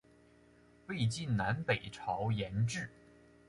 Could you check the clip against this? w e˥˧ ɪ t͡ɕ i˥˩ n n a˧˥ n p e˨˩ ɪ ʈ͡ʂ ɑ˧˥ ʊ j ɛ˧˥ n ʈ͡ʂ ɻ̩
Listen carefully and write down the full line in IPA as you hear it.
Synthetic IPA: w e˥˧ ɪ t͡ɕ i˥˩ n n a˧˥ n p e˨˩ ɪ ʈ͡ʂʰ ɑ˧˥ ʊ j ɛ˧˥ n ʈ͡ʂ ɻ̩